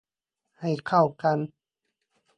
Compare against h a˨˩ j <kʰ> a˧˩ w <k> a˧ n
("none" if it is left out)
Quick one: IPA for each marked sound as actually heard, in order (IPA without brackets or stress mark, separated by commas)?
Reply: kʰ, k